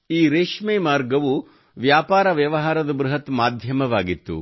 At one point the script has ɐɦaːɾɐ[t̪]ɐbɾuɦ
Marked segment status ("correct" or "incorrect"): incorrect